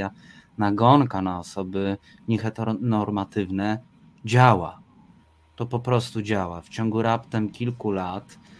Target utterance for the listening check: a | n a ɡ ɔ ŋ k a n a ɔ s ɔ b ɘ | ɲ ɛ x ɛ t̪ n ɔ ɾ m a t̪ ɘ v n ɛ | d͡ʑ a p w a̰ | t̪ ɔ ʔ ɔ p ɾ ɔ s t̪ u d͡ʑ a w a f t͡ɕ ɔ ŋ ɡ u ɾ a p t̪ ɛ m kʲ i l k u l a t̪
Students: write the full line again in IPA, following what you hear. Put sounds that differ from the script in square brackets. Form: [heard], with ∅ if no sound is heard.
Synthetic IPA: a | n a ɡ ɔ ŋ k a n a ɔ s ɔ b ɘ | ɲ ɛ x ɛ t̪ n ɔ ɾ m a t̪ ɘ v n ɛ | d͡ʑ a [∅] w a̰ | t̪ ɔ [p] ɔ p ɾ ɔ s t̪ u d͡ʑ a w a f t͡ɕ ɔ ŋ ɡ u ɾ a p t̪ ɛ m kʲ i l k u l a t̪